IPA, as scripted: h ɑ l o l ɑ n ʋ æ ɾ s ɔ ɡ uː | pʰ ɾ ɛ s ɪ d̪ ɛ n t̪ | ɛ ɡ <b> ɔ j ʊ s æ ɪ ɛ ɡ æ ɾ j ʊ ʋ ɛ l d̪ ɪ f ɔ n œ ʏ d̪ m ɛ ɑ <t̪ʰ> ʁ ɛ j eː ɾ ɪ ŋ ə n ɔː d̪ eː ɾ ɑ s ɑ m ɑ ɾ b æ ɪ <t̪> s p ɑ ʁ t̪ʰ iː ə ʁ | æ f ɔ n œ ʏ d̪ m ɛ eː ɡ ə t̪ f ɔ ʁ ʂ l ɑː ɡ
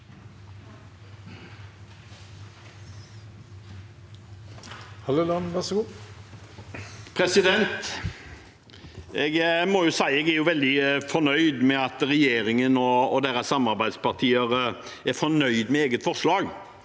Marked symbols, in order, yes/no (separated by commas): no, no, no